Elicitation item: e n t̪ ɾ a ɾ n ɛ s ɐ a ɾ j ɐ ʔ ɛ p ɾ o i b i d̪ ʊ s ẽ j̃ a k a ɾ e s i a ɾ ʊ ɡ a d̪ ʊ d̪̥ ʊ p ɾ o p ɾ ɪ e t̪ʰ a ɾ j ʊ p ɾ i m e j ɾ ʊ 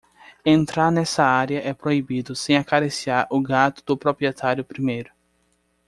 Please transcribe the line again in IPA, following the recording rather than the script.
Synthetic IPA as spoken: ẽ n t̪ ɾ a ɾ n ɛ s ɐ a ɾ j ɐ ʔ ɛ p ɾ o i b i d̪ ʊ s ẽ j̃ a k a ɾ e s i a ɾ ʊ ɡ a t̪ ʊ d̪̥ ʊ p ɾ o p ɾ i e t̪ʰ a ɾ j ʊ p ɾ i m e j ɾ ʊ